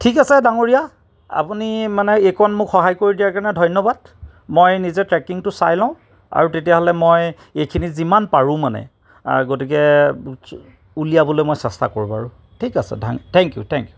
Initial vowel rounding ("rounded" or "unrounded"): unrounded